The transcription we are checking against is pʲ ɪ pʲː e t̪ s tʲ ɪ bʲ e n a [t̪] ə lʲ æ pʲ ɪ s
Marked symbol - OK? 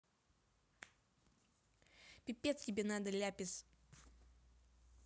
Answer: no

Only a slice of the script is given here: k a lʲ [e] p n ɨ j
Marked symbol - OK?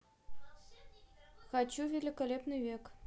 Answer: yes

